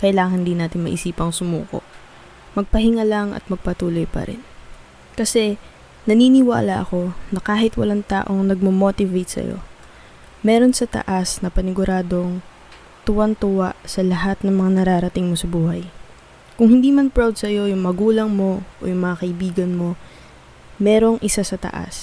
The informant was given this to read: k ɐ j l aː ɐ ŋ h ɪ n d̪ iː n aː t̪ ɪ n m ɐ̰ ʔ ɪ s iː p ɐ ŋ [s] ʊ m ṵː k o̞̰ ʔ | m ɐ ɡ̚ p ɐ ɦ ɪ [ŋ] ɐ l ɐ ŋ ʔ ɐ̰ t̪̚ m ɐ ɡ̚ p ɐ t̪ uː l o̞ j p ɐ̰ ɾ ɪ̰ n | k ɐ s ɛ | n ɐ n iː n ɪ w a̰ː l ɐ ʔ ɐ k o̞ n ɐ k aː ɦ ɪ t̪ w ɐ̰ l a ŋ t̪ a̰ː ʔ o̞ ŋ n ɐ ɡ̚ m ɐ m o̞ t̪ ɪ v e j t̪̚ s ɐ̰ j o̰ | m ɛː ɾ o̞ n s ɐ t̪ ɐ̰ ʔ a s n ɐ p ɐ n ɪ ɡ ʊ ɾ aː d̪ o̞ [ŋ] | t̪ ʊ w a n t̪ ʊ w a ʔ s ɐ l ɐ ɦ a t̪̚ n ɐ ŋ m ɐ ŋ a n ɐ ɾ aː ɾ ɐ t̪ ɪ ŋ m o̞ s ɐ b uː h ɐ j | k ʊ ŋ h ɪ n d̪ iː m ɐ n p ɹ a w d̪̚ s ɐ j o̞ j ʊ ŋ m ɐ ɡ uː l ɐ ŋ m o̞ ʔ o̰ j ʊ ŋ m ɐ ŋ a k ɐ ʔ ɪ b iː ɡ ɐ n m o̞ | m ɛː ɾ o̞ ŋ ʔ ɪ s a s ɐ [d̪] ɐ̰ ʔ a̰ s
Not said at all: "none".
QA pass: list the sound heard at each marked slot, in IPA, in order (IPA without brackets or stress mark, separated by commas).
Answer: s, ŋ, ŋ, t̪